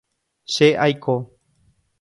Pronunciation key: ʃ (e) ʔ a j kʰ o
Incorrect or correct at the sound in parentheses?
correct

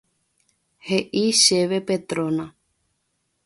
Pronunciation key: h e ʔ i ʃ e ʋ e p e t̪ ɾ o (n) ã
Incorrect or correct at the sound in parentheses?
correct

